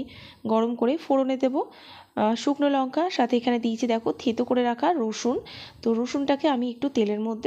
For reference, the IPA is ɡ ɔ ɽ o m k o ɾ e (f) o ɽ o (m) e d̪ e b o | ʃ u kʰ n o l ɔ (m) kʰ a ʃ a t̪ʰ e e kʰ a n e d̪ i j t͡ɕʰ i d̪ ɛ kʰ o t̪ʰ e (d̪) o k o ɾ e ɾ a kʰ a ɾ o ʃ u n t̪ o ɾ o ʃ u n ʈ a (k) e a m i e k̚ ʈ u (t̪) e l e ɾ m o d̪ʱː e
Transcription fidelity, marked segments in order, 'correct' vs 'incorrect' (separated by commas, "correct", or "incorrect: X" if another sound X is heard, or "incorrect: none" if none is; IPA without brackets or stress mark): correct, incorrect: n, incorrect: ŋ, incorrect: t̪, correct, correct